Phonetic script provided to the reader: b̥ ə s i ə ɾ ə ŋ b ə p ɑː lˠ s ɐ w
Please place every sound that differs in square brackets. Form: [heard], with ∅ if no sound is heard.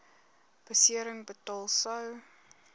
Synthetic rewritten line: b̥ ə s i ə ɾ ə ŋ b ə [t] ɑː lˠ s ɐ w